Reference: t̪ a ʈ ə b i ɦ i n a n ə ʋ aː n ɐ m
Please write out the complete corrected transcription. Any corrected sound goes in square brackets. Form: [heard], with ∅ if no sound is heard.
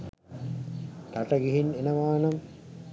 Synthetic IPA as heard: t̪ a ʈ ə [ɡ] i ɦ i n [e] n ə ʋ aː n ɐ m

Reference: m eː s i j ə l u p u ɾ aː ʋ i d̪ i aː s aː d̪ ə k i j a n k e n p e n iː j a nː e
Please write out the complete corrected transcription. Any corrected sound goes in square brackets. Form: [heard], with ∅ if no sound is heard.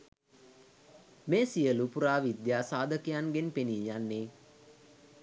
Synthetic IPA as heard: m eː s i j ə l u p u ɾ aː ʋ i d̪ [j] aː s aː d̪ ə k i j a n [ɡ] e n p e n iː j a nː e

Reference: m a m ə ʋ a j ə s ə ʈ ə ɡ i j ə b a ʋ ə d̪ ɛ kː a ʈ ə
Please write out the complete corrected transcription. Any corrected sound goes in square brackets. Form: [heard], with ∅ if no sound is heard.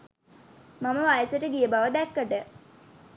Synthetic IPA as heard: m a m ə ʋ a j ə s ə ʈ ə ɡ i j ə b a ʋ ə d̪ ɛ kː [ə] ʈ ə

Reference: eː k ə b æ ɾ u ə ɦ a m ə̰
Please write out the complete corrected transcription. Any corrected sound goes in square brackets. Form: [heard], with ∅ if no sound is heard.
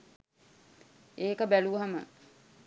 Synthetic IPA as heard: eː k ə b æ [l] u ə ɦ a m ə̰

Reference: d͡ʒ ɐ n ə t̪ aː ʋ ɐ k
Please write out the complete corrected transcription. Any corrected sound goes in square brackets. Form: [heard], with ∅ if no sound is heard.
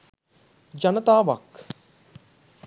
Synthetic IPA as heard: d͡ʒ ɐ n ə t̪ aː ʋ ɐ k

